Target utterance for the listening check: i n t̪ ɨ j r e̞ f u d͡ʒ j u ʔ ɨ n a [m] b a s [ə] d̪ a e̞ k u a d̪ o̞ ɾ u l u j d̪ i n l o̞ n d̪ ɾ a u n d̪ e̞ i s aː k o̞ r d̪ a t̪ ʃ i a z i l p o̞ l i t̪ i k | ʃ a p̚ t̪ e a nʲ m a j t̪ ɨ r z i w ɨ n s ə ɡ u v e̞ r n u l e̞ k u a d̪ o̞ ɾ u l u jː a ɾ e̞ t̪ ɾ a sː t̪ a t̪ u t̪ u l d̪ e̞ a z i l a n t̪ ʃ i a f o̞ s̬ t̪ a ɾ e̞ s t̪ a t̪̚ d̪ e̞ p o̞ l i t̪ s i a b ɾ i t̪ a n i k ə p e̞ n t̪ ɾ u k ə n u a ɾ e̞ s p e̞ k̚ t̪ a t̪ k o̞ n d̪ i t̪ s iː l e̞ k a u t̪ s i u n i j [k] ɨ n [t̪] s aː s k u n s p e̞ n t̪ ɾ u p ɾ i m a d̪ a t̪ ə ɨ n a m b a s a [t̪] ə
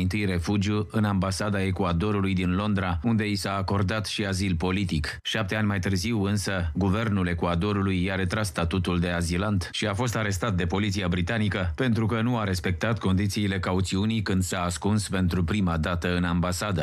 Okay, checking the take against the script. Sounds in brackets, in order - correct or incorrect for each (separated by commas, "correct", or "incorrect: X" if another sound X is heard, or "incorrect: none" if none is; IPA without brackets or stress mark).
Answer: correct, incorrect: a, correct, incorrect: d̪, incorrect: d̪